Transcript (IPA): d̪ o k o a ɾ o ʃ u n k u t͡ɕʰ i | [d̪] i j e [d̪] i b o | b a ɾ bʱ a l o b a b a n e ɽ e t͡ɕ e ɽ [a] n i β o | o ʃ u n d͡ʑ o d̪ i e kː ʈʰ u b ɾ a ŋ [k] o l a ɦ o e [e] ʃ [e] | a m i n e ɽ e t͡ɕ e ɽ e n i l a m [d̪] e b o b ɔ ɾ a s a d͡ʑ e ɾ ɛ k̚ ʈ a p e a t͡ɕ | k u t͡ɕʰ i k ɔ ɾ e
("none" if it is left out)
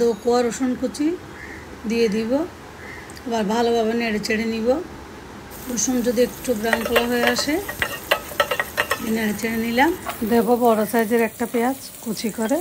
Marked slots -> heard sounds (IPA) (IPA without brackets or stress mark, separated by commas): d̪, d̪, e, k, a, e, d̪